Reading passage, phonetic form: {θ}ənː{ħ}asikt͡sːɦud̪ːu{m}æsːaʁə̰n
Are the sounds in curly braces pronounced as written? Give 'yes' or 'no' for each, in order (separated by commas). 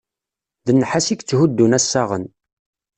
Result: no, yes, no